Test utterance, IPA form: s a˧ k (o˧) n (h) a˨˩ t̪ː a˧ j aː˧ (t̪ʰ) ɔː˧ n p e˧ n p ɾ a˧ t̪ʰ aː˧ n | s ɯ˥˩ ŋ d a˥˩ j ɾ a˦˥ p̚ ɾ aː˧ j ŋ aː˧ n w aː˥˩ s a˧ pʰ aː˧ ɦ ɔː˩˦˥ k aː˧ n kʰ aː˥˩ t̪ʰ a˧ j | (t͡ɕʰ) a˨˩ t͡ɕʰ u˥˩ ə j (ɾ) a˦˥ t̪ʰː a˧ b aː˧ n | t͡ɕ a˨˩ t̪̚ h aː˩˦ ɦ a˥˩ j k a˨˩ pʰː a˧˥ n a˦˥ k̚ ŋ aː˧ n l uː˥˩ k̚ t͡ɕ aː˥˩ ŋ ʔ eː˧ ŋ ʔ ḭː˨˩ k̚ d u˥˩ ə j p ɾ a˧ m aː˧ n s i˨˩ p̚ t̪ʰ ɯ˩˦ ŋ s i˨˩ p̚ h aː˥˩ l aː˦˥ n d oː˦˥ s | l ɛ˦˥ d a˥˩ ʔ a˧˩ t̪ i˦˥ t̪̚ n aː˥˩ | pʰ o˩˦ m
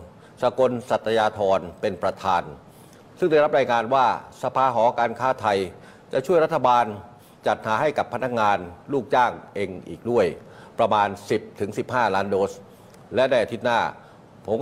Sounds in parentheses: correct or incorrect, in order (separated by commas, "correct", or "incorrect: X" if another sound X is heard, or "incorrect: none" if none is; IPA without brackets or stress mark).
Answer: correct, incorrect: s, correct, incorrect: t͡ɕ, correct